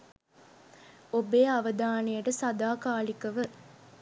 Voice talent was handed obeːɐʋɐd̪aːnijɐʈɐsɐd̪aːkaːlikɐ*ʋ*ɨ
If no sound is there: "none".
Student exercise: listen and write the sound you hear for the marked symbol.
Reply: ʋ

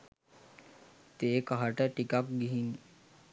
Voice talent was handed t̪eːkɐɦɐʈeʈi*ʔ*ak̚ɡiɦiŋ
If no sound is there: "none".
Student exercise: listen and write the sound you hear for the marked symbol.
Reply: k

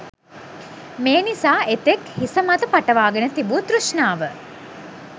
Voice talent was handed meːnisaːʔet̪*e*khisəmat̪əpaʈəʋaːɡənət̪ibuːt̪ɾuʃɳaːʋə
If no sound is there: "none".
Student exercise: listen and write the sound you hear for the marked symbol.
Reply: e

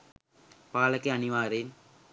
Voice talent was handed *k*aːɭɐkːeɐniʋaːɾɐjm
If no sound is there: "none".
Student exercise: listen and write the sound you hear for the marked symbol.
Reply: p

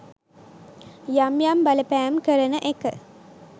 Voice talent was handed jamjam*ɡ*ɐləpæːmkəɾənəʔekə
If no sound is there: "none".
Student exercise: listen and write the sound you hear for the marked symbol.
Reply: b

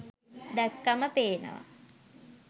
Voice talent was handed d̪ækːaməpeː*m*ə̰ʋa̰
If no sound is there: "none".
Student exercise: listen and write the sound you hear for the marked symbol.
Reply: n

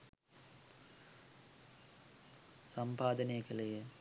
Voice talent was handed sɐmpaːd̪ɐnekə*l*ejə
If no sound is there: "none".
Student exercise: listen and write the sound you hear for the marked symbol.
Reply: l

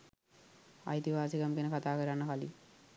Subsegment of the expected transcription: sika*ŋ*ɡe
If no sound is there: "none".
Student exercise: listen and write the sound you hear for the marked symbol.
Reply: m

